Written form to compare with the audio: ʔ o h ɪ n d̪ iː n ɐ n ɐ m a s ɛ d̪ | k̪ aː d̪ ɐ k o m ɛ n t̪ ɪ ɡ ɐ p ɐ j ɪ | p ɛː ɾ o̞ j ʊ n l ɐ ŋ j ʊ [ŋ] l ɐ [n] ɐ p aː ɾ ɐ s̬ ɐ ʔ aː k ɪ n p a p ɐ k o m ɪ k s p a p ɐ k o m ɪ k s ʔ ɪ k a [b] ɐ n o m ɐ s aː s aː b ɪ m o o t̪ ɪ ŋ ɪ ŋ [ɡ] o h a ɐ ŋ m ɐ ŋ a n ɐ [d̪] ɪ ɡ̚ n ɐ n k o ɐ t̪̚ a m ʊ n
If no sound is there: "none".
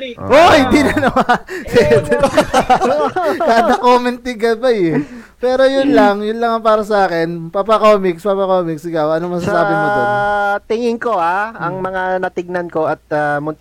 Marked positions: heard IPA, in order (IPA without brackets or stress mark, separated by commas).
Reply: n, ŋ, w, k, t̪